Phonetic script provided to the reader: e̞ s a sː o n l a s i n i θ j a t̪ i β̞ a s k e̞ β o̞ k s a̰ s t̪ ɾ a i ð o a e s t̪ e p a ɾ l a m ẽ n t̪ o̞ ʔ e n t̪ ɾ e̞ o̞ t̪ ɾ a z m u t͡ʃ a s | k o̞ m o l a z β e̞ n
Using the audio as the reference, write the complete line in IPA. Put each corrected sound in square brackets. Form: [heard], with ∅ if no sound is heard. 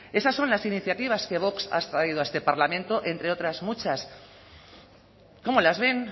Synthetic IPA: e̞ s a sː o n l a s i n i θ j a t̪ i β̞ a s k e̞ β o̞ k s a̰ s t̪ ɾ a i ð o a e s t̪ e p a ɾ l a m ẽ n t̪ o̞ ʔ e n t̪ ɾ e̞ o̞ t̪ ɾ a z m u t͡ʃ a s | k o̞ m o l a z β e̞ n